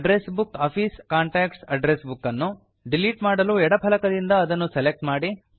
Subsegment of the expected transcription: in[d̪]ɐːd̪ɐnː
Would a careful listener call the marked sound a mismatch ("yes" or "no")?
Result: no